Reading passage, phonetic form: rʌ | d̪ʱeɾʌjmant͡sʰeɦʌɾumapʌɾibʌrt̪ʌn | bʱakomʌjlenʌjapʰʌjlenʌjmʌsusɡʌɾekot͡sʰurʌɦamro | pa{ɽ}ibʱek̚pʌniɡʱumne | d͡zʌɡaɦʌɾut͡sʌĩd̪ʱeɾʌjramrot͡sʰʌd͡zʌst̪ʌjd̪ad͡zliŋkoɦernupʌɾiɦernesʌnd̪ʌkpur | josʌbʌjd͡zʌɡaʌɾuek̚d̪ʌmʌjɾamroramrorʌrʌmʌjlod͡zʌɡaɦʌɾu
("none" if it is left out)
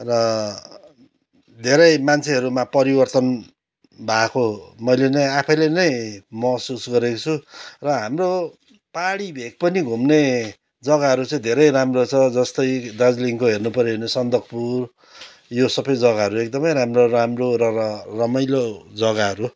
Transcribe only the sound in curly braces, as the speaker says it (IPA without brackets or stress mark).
ɽ